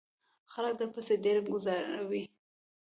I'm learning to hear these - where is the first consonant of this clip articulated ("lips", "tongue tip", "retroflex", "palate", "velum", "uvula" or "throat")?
velum